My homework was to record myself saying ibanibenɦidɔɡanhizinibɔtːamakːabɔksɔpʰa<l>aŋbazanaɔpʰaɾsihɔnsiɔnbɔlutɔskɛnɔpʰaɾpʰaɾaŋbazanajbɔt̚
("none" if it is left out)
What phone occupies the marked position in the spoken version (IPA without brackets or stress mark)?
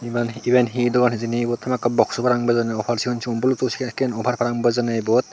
ɾ